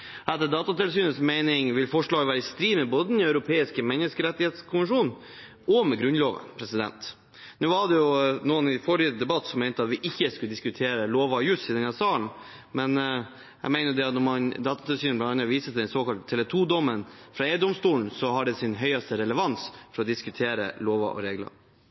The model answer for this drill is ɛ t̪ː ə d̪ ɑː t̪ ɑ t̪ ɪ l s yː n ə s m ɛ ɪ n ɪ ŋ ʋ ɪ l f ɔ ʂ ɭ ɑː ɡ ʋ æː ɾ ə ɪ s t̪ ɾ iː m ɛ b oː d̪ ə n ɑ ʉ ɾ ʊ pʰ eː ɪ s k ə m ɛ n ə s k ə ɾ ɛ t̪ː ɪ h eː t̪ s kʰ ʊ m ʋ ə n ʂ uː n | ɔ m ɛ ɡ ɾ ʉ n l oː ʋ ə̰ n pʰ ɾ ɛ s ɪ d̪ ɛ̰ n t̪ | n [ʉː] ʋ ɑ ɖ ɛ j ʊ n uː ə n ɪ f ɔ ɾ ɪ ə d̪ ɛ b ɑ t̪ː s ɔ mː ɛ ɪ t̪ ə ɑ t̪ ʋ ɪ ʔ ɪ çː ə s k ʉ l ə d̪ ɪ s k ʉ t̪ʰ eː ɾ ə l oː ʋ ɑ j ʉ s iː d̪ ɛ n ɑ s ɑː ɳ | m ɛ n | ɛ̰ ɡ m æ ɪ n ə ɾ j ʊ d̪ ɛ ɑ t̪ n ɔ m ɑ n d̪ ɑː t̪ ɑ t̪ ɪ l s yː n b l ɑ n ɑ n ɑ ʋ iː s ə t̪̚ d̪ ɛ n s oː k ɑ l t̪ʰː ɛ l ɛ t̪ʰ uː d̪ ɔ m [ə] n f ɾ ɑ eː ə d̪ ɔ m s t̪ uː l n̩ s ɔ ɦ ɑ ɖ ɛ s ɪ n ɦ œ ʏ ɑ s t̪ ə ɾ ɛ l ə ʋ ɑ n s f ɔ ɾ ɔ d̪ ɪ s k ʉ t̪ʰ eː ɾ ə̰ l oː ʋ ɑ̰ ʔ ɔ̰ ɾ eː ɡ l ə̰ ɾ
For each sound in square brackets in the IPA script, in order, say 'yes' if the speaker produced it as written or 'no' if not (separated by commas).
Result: yes, yes